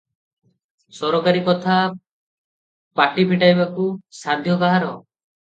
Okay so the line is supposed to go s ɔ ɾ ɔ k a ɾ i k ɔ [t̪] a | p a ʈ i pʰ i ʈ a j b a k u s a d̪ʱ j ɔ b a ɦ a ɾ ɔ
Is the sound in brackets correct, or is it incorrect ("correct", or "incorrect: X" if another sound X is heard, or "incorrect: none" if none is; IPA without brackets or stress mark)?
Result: incorrect: t̪ʰ